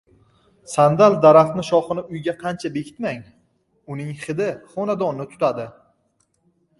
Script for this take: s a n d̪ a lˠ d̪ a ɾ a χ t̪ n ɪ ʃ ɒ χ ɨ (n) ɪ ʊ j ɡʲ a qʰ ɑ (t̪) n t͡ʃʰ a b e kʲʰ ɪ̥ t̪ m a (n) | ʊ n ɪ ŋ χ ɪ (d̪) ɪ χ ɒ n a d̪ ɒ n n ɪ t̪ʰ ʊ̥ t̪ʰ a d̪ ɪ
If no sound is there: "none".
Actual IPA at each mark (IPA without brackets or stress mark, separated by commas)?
n, none, ŋ, d̪